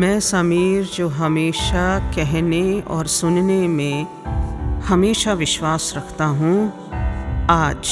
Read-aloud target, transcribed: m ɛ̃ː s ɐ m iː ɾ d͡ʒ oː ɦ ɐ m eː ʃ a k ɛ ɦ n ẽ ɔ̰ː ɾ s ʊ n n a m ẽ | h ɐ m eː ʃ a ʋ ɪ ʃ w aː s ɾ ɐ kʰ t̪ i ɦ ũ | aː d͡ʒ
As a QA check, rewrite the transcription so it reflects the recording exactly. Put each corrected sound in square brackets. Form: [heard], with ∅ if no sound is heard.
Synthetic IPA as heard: m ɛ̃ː s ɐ m iː ɾ d͡ʒ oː ɦ ɐ m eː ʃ a k ɛ ɦ n [e] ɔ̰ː ɾ s ʊ n n [e] m ẽ | h ɐ m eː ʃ a ʋ ɪ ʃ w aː s ɾ ɐ kʰ t̪ [a] ɦ ũ | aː d͡ʒ